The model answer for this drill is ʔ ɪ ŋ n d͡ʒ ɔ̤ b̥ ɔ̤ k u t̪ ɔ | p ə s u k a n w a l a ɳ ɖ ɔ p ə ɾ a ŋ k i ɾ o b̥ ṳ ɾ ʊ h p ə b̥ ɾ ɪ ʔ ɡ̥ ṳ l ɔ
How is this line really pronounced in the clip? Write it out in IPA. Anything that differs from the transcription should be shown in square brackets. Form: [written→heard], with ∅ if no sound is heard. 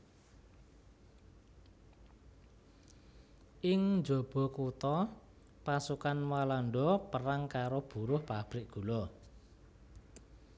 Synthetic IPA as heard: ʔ ɪ ŋ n d͡ʒ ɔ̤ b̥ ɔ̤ k u t̪ ɔ | p [ə→a] s u k a n w a l a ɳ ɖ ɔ p ə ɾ a ŋ k [i→a] ɾ o b̥ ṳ ɾ ʊ h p [ə→a] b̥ ɾ ɪ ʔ ɡ̥ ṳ l ɔ